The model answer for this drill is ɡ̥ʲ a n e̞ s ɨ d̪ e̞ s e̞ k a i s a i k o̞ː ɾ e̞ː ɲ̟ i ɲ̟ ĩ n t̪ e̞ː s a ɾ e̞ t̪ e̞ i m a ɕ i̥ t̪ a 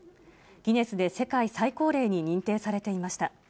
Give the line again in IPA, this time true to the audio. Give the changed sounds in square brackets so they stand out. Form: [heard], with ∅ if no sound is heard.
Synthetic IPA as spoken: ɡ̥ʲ [i] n e̞ s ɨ d̪ e̞ s e̞ k a i s a i k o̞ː ɾ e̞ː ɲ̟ i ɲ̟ ĩ n t̪ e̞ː s a ɾ e̞ t̪ e̞ i m a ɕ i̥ t̪ a

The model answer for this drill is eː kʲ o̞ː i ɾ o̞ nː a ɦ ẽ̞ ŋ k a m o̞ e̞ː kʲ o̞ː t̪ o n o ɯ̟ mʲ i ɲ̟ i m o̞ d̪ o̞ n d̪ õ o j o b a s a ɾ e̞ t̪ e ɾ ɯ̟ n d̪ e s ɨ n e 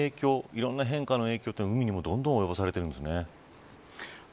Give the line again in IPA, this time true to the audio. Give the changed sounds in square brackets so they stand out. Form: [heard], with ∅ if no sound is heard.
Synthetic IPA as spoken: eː kʲ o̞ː i ɾ [õ̞] nː a ɦ ẽ̞ ŋ k a [n] o̞ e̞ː kʲ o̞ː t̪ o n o ɯ̟ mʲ i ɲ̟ i m o̞ d̪ [õ̞] n d̪ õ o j o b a s a ɾ e̞ t̪ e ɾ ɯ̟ n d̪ e s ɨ n e

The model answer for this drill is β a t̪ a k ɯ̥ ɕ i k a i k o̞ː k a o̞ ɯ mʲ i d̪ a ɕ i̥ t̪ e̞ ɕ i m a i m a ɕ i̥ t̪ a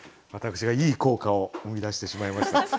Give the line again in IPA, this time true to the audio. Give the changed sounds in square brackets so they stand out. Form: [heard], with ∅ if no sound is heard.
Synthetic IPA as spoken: β a t̪ a k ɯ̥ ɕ i [ɡ] a [iː] k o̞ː k a o̞ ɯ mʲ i d̪ a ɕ i̥ t̪ e̞ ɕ i m a i m a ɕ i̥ t̪ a

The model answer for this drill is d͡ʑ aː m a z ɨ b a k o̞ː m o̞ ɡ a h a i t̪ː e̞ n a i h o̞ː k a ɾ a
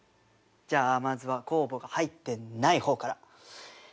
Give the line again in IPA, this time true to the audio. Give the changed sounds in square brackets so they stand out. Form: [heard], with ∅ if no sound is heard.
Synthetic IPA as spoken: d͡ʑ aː m a z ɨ [β] a k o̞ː [b] o̞ ɡ a h a i t̪ː e̞ n a i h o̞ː k a ɾ a

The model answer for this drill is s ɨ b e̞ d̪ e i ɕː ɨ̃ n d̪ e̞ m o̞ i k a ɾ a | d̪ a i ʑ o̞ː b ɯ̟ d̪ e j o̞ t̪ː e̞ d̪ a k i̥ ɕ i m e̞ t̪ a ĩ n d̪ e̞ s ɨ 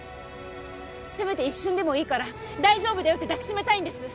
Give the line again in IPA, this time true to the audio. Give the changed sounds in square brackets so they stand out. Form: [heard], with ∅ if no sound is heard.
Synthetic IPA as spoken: s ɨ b e̞ [t̪] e i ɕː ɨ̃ n d̪ e̞ m o̞ [iː] k a ɾ a | d̪ a i ʑ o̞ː b ɯ̟ d̪ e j o̞ t̪ː e̞ d̪ a k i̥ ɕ i m e̞ t̪ a ĩ n d̪ e̞ s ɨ

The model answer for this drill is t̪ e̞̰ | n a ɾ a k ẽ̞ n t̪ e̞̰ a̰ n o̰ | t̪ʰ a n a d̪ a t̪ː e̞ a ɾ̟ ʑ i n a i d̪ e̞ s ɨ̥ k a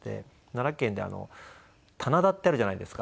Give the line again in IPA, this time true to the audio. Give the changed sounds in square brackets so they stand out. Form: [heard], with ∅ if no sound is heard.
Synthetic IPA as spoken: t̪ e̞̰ | n a ɾ a k ẽ̞ n [d̪] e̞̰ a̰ n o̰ | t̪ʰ a n a d̪ a t̪ː e̞ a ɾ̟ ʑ [a] n a i d̪ e̞ s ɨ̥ k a

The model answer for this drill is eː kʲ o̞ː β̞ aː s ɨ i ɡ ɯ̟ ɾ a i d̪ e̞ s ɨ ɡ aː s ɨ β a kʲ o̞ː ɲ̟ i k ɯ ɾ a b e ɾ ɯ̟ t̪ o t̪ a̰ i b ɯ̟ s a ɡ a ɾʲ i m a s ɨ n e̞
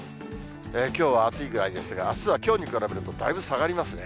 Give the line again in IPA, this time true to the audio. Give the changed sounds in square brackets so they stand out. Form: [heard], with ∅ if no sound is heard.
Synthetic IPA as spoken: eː kʲ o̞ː β̞ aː [t͡s] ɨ i ɡ ɯ̟ ɾ a i d̪ e̞ s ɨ ɡ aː s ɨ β a kʲ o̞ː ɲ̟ i k ɯ ɾ a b e ɾ ɯ̟ t̪ o [d̪] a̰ i b ɯ̟ s a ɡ a ɾʲ i m a s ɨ n e̞

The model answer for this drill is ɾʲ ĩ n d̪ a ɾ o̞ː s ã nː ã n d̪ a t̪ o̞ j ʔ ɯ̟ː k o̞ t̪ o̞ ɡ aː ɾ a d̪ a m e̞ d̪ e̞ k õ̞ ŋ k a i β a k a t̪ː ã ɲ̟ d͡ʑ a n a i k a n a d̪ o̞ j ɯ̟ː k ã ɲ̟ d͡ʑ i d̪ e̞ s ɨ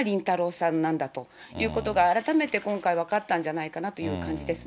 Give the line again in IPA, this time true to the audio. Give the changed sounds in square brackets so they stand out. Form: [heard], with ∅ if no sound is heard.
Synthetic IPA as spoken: ɾʲ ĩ n [t̪] a ɾ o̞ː s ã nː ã n d̪ a t̪ o̞ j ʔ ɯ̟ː k o̞ t̪ o̞ ɡ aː ɾ a [t̪] a m e̞ [t̪] e̞ k õ̞ ŋ k a i β a k a t̪ː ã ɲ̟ d͡ʑ a n a i k a n a [t̪] o̞ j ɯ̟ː k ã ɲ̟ d͡ʑ i d̪ e̞ s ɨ

